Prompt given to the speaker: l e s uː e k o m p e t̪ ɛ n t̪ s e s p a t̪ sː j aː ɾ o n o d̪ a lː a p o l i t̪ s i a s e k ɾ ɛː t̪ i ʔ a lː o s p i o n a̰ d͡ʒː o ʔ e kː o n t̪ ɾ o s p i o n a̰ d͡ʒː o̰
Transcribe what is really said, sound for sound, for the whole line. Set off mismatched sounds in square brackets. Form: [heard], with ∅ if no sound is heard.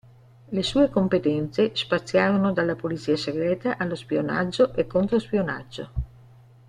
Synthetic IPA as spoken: l e s uː e k o m p e t̪ ɛ n t̪ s e s p a t̪ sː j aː ɾ o n o d̪ a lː a p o l i t̪ s [iː] a s e [ɡ] ɾ ɛː t̪ [a] ʔ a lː o s p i o n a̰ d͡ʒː o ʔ e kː o n t̪ ɾ o s p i o n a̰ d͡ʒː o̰